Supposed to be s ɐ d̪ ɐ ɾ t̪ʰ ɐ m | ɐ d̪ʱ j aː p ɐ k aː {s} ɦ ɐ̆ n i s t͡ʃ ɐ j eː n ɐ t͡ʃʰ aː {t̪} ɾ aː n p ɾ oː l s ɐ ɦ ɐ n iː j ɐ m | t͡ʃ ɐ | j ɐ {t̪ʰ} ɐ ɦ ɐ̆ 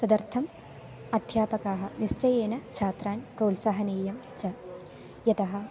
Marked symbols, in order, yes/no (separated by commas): no, yes, no